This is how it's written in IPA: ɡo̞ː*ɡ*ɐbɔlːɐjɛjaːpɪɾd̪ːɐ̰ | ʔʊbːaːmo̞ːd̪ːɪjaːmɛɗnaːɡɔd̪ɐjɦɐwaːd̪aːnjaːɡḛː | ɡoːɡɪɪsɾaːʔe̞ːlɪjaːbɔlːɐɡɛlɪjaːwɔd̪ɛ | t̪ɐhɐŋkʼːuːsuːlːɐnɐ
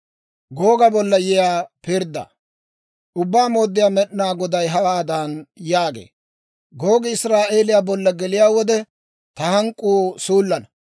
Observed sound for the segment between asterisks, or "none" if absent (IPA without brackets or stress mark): ɡ